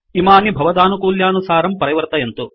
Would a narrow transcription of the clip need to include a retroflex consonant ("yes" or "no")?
no